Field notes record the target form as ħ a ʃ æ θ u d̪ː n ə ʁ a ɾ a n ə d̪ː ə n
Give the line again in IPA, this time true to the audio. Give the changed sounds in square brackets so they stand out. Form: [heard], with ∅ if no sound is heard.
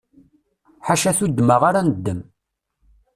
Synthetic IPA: ħ a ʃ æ θ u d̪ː [m] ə ʁ a ɾ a n ə d̪ː ə [m]